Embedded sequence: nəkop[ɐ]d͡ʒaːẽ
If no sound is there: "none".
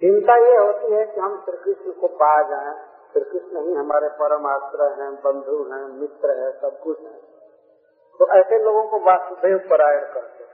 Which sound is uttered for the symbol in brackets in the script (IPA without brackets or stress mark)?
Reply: a